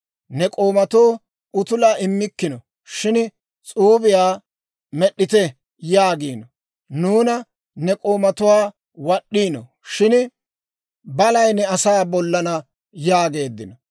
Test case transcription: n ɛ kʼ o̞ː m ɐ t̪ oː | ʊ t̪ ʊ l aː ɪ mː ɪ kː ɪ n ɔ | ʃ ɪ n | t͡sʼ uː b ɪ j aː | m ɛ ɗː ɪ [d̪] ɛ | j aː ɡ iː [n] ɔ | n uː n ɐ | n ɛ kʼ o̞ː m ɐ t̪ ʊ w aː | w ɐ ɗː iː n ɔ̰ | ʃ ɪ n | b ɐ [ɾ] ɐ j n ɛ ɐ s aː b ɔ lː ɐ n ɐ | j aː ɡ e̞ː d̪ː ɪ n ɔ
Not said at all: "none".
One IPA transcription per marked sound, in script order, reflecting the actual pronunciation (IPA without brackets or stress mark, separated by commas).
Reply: t̪, n, l